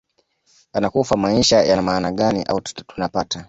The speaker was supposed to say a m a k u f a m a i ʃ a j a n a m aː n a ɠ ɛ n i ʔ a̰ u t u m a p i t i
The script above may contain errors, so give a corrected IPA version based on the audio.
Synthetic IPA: a n a k u f a m a i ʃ a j a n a m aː n a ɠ a n i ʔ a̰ u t u n a p a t a